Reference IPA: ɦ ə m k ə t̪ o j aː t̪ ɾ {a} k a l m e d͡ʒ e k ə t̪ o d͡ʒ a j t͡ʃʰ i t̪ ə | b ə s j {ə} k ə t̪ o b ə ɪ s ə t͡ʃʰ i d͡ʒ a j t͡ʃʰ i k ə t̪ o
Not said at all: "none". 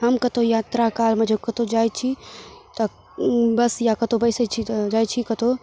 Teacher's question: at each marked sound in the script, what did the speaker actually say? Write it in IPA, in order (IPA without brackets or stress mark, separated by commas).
a, a